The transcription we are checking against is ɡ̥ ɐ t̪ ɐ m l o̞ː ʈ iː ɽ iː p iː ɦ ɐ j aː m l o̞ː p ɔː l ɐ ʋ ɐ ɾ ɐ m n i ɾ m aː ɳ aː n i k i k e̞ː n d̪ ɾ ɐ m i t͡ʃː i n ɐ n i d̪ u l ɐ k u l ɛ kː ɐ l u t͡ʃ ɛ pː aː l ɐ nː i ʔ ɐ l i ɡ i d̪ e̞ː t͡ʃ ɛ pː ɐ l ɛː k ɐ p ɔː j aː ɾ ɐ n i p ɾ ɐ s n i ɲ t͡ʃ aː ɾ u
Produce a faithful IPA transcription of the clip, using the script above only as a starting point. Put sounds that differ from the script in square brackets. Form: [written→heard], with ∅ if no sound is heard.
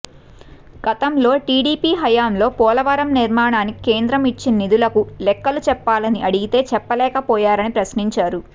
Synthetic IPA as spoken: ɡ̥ ɐ t̪ ɐ m l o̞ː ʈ iː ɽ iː p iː ɦ ɐ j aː m l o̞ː p ɔː l ɐ ʋ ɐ ɾ ɐ m n i ɾ m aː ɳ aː n i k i k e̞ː n d̪ ɾ ɐ m i t͡ʃː i n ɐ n i d̪ u l ɐ k u l ɛ kː ɐ l u t͡ʃ ɛ pː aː l ɐ [nː→n] i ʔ ɐ [l→ɽ] i ɡ i [d̪→t̪] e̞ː t͡ʃ ɛ pː ɐ l ɛː k ɐ p ɔː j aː ɾ ɐ n i p ɾ ɐ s n i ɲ t͡ʃ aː ɾ u

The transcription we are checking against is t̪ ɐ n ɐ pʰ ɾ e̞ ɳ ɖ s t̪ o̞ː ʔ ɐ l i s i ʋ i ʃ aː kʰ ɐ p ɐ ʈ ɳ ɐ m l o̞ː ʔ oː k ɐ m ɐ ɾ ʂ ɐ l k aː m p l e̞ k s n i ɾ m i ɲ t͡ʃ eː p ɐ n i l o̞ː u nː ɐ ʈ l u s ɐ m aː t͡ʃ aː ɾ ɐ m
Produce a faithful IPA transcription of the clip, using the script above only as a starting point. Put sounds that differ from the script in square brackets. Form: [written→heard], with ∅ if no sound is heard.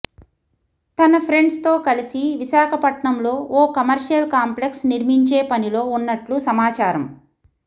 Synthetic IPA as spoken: t̪ ɐ n ɐ pʰ ɾ e̞ ɳ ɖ s t̪ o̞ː [ʔ→k] ɐ l i s i ʋ i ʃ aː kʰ ɐ p ɐ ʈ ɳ ɐ m l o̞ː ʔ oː k ɐ m ɐ ɾ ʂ ɐ l k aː m p l e̞ k s n i ɾ m i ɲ t͡ʃ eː p ɐ n i l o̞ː u nː ɐ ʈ l u s ɐ m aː t͡ʃ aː ɾ ɐ m

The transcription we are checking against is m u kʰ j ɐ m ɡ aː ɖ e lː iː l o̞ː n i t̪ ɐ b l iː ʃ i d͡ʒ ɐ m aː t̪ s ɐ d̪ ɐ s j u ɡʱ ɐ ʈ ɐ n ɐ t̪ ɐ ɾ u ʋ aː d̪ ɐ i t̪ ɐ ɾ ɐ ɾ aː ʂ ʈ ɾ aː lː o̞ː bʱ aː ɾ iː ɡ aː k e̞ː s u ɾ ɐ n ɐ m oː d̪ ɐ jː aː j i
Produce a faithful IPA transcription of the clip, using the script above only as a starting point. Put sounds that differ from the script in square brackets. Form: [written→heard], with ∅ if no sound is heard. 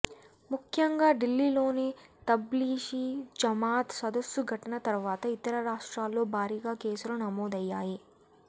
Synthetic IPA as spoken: m u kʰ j ɐ [m→ŋ] ɡ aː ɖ [e→i] lː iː l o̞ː n i t̪ ɐ b l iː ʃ i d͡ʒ ɐ m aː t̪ s ɐ d̪ ɐ s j u ɡʱ ɐ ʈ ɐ n ɐ t̪ ɐ ɾ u ʋ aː [d̪→t̪] ɐ i t̪ ɐ ɾ ɐ ɾ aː ʂ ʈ ɾ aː lː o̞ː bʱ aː ɾ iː ɡ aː k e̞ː s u ɾ ɐ n ɐ m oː d̪ ɐ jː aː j i

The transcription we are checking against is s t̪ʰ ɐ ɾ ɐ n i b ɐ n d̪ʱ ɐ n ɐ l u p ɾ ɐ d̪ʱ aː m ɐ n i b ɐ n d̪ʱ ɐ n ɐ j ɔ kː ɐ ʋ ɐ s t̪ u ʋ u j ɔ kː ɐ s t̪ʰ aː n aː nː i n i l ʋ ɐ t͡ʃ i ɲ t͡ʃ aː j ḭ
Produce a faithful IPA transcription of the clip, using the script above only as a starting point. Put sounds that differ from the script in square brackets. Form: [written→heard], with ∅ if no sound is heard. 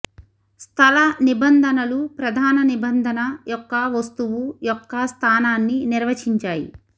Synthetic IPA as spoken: s t̪ʰ ɐ [ɾ→l] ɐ n i b ɐ n d̪ʱ ɐ n ɐ l u p ɾ ɐ d̪ʱ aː [m→n] ɐ n i b ɐ n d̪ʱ ɐ n ɐ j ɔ kː ɐ ʋ ɐ s t̪ u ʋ u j ɔ kː ɐ s t̪ʰ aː n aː nː i n i [l→ɾ] ʋ ɐ t͡ʃ i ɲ t͡ʃ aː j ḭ

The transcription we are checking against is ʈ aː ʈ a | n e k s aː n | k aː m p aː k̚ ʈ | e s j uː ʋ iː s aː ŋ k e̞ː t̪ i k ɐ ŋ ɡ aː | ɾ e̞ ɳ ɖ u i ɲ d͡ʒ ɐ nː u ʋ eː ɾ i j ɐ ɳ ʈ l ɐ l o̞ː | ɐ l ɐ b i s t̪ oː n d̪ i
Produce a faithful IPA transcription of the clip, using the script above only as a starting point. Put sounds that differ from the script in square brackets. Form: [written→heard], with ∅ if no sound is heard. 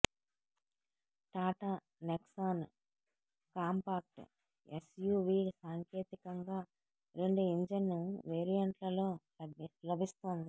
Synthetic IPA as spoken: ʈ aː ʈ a | n e k s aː n | k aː m p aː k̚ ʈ | e s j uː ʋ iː s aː ŋ k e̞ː t̪ i k ɐ ŋ ɡ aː | ɾ e̞ ɳ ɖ u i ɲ d͡ʒ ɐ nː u ʋ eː ɾ i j ɐ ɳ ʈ l ɐ l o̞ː | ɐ l ɐ b i s t̪ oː n d̪ i

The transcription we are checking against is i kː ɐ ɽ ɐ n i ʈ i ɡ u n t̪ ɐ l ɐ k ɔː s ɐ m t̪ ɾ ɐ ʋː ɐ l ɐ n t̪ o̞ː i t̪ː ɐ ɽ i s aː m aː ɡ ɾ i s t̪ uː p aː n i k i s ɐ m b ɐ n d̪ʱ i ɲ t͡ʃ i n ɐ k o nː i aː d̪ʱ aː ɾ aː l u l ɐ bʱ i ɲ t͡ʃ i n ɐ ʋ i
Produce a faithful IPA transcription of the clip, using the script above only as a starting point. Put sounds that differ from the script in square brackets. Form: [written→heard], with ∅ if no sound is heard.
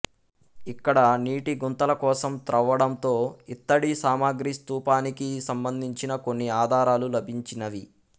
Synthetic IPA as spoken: i kː ɐ ɽ ɐ n [i→iː] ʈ i ɡ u n t̪ ɐ l ɐ k ɔː s ɐ m t̪ ɾ ɐ ʋː ɐ [l→ɽ] ɐ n t̪ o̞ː i t̪ː ɐ ɽ i s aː m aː ɡ ɾ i s t̪ uː p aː n i k i s ɐ m b ɐ n d̪ʱ i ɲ t͡ʃ i n ɐ k o nː i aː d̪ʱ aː ɾ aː l u l ɐ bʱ i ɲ t͡ʃ i n ɐ ʋ i

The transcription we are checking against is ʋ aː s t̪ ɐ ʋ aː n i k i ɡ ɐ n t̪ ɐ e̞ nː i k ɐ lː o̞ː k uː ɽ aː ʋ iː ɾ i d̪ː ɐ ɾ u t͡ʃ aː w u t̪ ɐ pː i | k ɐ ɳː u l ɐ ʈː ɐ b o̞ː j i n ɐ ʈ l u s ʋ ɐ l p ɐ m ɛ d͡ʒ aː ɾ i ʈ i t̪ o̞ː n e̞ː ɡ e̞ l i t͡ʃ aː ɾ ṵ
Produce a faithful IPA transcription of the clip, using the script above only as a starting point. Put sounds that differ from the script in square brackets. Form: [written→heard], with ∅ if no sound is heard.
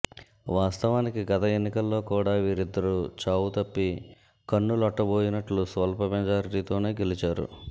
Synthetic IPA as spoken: ʋ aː s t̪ ɐ ʋ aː n i k i ɡ ɐ [n→∅] t̪ ɐ e̞ nː i k ɐ lː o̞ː k uː ɽ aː ʋ iː ɾ i d̪ː ɐ ɾ u t͡ʃ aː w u t̪ ɐ pː i | k ɐ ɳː u l ɐ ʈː ɐ b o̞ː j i n ɐ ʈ l u s ʋ ɐ l p ɐ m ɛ d͡ʒ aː ɾ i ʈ i t̪ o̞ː n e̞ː ɡ e̞ l i t͡ʃ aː ɾ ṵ

